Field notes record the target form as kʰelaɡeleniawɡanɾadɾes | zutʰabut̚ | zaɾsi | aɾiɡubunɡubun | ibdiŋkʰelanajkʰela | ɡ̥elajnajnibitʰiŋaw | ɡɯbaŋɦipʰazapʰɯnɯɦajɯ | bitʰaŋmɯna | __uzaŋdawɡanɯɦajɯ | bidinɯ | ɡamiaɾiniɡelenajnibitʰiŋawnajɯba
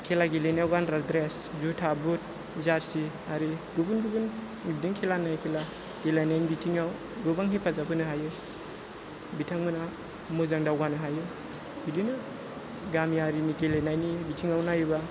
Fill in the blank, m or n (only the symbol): m